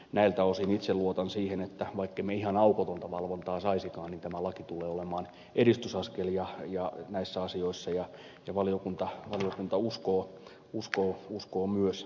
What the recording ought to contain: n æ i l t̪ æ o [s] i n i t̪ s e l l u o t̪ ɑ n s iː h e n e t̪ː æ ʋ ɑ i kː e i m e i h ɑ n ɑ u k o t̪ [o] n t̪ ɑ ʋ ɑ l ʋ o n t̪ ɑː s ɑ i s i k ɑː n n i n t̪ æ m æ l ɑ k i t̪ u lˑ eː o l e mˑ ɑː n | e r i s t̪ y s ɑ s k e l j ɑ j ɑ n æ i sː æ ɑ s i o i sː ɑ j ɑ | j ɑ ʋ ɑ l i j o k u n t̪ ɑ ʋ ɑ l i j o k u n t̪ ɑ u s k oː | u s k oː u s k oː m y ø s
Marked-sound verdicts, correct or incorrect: correct, correct

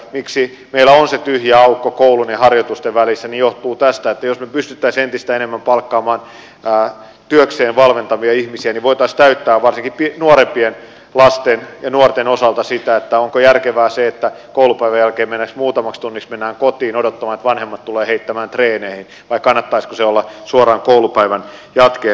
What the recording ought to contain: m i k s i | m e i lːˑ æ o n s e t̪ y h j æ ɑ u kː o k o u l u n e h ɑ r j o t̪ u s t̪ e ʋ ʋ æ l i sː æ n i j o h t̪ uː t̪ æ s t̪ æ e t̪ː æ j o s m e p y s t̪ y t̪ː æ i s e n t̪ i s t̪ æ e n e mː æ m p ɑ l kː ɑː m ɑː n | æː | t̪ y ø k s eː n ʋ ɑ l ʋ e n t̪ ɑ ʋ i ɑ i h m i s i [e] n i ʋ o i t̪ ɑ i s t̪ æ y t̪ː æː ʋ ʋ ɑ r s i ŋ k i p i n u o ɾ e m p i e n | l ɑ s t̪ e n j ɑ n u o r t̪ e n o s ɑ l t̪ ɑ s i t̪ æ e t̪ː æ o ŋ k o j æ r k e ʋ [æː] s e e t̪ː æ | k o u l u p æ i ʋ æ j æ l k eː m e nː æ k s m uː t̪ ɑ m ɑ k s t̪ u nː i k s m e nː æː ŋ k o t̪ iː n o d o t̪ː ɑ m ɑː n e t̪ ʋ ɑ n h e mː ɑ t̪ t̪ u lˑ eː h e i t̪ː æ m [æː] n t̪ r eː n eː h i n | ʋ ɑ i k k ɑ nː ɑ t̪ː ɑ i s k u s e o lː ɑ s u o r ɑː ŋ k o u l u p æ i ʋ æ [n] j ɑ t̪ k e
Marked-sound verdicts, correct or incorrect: incorrect, correct, correct, correct

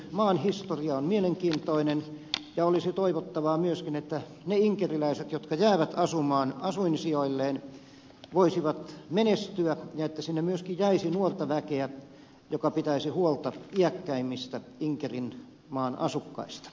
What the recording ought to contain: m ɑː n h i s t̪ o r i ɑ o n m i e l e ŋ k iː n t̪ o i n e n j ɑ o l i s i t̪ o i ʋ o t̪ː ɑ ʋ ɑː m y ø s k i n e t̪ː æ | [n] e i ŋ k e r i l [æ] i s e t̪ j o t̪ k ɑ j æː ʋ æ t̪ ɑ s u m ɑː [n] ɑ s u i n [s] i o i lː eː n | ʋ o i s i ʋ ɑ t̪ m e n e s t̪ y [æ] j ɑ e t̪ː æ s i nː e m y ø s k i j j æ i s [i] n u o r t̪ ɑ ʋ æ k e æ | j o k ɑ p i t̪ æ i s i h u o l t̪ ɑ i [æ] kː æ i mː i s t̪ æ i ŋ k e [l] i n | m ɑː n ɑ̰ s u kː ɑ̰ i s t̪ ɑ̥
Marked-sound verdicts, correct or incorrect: correct, correct, correct, correct, correct, correct, correct, incorrect

